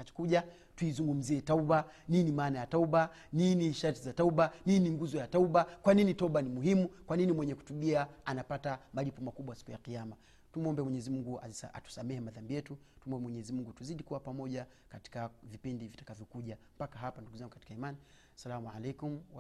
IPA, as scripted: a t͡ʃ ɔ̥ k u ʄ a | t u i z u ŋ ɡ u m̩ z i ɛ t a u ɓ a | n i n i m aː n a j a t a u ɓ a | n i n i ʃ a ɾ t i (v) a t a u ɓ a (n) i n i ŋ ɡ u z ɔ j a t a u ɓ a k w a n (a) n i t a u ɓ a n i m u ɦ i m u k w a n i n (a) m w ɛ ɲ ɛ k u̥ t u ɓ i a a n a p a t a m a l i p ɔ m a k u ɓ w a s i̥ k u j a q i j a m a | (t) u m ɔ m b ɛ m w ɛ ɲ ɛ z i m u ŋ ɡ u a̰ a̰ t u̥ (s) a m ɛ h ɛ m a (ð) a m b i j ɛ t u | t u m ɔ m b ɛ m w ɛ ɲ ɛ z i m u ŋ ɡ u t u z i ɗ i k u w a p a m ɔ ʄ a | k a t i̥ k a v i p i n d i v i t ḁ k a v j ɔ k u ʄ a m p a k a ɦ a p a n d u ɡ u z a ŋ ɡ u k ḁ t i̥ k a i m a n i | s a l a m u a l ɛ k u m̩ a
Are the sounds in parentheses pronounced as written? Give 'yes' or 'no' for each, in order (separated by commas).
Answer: no, yes, no, no, yes, yes, yes